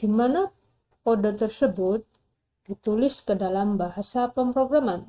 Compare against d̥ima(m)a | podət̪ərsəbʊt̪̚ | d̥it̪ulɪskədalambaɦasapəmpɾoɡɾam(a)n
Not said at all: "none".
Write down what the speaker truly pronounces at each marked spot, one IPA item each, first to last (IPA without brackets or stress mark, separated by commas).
n, a